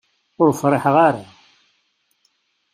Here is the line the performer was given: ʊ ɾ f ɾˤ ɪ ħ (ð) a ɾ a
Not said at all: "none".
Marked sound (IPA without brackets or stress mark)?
ʁ